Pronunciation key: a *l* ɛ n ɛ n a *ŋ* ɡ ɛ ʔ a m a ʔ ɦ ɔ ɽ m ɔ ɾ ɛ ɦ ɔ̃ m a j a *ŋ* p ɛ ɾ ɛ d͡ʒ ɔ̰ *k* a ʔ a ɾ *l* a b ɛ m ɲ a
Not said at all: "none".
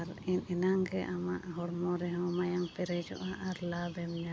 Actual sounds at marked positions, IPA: ɾ, ŋ, ŋ, ʔ, l

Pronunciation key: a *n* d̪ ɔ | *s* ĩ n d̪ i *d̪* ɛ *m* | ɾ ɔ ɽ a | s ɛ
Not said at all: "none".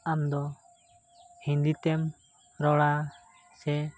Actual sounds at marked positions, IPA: m, h, t̪, m

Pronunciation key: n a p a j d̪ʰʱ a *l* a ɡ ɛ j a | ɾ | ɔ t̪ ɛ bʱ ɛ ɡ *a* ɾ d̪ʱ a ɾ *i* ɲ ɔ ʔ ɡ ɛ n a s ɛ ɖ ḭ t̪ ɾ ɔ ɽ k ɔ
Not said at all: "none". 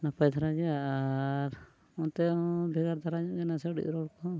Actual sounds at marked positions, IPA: ɾ, a, a

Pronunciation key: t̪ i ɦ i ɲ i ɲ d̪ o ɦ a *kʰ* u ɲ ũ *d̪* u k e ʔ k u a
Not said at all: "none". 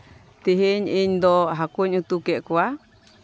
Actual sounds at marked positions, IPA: k, t̪

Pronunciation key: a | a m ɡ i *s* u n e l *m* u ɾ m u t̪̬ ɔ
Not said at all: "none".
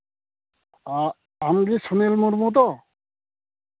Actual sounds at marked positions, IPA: s, m

